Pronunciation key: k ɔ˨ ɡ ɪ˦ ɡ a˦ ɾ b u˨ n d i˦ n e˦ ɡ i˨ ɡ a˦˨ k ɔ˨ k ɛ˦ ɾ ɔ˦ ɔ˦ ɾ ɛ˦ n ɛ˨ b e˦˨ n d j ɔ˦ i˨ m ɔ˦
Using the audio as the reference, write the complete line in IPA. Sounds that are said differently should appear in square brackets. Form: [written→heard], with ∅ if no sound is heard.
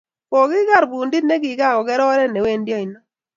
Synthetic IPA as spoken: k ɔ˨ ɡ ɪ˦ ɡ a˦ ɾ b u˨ n d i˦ n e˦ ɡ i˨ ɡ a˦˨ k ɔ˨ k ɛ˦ ɾ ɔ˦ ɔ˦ ɾ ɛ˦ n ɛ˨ [b→w] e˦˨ n d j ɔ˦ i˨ [m→n] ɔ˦